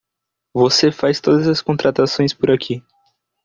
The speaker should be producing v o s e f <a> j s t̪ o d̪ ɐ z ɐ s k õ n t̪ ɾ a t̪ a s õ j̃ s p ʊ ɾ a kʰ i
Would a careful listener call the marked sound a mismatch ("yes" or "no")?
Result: no